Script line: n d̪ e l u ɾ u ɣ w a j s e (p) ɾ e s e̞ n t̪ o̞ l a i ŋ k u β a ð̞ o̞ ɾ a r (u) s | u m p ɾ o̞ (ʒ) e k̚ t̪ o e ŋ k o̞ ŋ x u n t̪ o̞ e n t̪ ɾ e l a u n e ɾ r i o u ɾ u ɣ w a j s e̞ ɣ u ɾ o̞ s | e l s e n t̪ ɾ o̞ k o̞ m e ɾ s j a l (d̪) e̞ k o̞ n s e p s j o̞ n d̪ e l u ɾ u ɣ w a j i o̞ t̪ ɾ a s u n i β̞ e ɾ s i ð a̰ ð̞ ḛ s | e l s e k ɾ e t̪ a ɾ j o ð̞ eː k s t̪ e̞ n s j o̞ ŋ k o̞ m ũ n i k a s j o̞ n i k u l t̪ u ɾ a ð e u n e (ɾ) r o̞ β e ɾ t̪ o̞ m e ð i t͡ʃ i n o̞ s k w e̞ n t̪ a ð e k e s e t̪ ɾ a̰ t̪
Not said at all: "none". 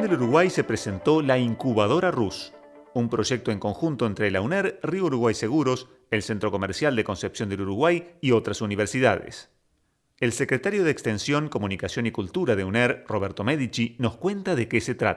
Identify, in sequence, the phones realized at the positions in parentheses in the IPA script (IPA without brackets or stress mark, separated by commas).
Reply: p, u, ʒ, d̪, ɾ